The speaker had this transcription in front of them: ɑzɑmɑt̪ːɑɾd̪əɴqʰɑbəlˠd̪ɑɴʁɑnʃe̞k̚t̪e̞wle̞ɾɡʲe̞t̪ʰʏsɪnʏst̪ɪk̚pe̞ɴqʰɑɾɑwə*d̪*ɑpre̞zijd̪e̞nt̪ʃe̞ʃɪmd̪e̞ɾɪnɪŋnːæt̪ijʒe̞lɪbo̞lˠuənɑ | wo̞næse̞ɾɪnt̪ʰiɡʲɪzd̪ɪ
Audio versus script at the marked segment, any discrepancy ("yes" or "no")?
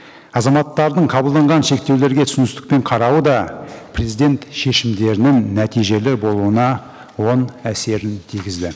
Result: no